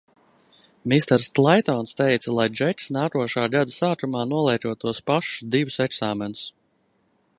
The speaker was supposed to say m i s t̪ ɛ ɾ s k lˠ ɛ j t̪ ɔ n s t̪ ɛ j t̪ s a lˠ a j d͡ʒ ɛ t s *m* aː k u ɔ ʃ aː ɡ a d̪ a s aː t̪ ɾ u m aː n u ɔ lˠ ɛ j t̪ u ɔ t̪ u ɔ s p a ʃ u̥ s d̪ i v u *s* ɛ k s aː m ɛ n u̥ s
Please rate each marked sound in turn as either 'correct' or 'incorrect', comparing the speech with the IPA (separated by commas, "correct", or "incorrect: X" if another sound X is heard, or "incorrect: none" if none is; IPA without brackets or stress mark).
incorrect: n, correct